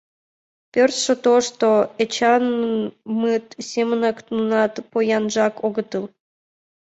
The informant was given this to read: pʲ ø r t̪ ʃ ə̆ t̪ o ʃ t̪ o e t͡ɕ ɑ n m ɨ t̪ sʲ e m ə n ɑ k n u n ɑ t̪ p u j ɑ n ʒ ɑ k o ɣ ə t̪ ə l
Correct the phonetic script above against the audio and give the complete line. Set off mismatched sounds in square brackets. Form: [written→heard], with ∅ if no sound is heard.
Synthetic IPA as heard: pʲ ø r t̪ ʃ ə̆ t̪ o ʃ t̪ o e t͡ɕ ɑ n m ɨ t̪ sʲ e m ə n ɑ k n u n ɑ t̪ p [u→o] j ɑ n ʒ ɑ k o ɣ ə t̪ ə l

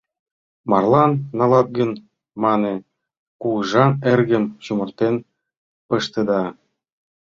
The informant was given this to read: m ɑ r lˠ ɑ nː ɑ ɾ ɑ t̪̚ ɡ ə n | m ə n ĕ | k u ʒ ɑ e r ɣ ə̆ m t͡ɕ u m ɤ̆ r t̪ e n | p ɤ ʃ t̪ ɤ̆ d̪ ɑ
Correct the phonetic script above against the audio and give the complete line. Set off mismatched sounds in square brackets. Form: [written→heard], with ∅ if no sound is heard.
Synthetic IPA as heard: m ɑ r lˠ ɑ nː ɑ [ɾ→l] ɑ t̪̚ ɡ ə n | m [ə→ɑ] n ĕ | k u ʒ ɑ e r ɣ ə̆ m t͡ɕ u m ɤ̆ r t̪ e n | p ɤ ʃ t̪ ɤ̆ d̪ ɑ

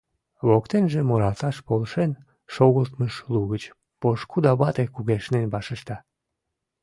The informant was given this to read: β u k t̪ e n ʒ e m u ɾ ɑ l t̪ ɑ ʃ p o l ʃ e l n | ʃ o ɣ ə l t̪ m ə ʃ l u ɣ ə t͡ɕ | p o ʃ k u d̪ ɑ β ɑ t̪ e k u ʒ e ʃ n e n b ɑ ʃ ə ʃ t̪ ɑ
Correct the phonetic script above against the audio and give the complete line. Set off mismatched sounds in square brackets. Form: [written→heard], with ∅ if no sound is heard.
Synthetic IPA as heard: β [u→o] k t̪ e n ʒ e m [u→o] ɾ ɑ l t̪ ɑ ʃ p o l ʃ e [l→∅] n | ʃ o ɣ ə l t̪ m ə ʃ l u ɣ ə t͡ɕ | p o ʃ k u d̪ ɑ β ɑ t̪ e k u [ʒ→ɣ] e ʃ n e n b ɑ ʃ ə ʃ t̪ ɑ

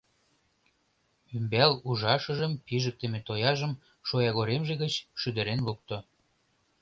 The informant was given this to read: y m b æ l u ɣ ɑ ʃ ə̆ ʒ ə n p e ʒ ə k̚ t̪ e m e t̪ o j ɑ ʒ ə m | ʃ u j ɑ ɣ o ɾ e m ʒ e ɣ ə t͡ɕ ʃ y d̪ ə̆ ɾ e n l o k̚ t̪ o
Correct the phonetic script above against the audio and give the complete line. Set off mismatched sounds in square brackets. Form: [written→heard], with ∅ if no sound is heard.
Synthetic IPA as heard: y m b æ l u [ɣ→ʒ] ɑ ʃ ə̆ ʒ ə [n→m] p [e→i] ʒ ə k̚ t̪ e m e t̪ o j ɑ ʒ ə m | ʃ [u→o] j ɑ ɣ o ɾ e m ʒ e ɣ ə t͡ɕ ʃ y d̪ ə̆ ɾ e n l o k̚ t̪ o

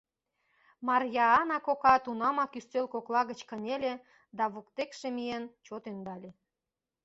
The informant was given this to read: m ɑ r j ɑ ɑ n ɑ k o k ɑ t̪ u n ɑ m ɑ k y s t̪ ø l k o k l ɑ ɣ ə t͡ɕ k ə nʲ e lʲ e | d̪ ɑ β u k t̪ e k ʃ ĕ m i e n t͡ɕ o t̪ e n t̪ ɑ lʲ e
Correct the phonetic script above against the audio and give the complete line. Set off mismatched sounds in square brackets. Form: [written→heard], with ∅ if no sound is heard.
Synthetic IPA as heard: m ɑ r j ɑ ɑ n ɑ k o k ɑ t̪ u n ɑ m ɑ k y s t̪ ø l k o k l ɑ ɣ ə t͡ɕ k ə nʲ e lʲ e | d̪ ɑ β u k t̪ e k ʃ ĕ m i e n t͡ɕ o t̪ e n [t̪→d̪] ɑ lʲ e

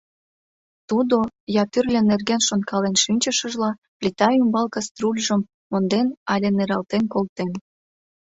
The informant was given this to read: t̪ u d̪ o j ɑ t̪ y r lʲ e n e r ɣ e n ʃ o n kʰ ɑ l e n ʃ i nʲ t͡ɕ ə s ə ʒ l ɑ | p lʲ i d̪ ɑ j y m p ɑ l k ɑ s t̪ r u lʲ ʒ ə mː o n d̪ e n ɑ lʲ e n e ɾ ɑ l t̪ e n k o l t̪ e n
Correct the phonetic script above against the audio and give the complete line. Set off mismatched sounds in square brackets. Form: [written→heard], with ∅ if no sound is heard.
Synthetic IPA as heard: t̪ u d̪ o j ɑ t̪ y r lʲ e n e r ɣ e n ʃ o n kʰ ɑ l e n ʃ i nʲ t͡ɕ ə [s→ʃ] ə ʒ l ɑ | p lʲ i [d̪→t̪] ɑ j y m [p→b] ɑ l k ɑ s t̪ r u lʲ ʒ ə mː o n d̪ e n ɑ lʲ e n e ɾ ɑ l t̪ e n k o l t̪ e n

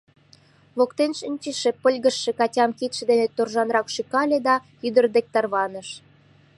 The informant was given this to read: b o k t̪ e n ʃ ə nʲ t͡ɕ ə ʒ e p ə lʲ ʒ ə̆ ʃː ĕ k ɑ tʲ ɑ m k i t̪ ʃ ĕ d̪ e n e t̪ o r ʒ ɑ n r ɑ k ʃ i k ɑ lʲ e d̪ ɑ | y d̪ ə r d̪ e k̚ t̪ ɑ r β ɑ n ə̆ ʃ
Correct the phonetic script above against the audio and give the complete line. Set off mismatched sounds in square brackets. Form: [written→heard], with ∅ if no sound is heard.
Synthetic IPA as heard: [b→β] o k t̪ e n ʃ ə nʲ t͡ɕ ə [ʒ→ʃ] e p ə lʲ [ʒ→ɣ] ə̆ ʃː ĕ k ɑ tʲ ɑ m k i t̪ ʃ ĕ d̪ e n e t̪ o r ʒ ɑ n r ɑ k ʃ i k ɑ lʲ e d̪ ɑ | y d̪ ə r d̪ e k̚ t̪ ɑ r β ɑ n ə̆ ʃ

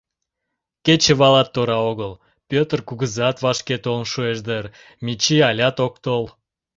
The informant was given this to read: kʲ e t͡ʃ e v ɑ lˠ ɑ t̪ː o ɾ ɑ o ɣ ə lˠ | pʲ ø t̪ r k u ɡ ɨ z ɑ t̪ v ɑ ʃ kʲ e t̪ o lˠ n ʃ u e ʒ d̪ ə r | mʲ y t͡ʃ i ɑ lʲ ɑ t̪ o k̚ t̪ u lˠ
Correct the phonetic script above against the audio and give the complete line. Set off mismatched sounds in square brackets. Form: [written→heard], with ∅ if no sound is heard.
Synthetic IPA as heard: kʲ e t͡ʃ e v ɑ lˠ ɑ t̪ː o ɾ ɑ o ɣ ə lˠ | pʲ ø t̪ r k u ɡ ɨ z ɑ t̪ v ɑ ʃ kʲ e t̪ o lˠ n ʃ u e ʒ d̪ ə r | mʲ [y→i] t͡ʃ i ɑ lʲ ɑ t̪ o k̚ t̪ [u→o] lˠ

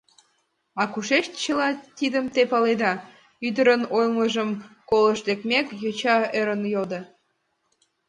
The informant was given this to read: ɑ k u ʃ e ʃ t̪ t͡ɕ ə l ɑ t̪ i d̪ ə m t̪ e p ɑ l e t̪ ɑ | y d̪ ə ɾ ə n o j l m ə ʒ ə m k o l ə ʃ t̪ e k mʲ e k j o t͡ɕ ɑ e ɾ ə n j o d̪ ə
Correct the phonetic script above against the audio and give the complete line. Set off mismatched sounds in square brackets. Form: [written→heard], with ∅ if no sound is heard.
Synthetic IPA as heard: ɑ k u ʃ e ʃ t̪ t͡ɕ ə l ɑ t̪ i d̪ ə m t̪ e p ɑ l e [t̪→d̪] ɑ | y d̪ ə ɾ ə n o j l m ə ʒ ə m k o l ə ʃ [t̪→d̪] e k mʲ e k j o t͡ɕ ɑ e ɾ ə n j o d̪ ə

